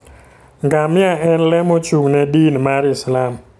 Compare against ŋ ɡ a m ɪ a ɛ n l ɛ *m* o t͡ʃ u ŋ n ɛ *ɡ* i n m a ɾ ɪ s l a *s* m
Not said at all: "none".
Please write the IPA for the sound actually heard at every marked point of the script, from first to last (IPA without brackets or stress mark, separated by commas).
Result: m, d, none